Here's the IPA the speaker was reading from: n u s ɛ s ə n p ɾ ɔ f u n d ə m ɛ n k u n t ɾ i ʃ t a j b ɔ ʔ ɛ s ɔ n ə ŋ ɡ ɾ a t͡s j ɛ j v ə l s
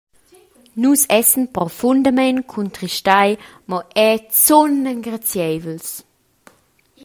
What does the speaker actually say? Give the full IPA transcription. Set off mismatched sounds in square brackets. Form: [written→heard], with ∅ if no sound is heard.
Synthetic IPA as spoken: n u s ɛ s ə n p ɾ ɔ f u n d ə m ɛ n [k→kʰ] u n t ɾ i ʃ t a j [b→m] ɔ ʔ ɛ [s→t͡s] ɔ n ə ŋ ɡ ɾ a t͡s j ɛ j v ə l s